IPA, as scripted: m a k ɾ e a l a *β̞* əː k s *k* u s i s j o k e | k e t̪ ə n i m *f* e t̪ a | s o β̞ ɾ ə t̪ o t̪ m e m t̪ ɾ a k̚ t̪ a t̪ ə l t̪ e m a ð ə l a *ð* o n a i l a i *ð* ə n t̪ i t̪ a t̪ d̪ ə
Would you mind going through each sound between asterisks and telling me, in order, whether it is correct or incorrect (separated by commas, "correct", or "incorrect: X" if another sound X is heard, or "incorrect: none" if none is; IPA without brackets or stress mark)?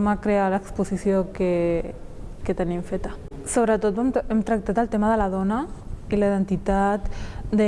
incorrect: none, incorrect: p, correct, correct, correct